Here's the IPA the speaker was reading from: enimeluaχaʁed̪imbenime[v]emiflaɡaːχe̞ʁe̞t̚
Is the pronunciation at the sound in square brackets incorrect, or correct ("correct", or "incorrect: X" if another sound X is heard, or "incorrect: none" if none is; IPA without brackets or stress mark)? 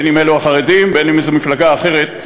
incorrect: z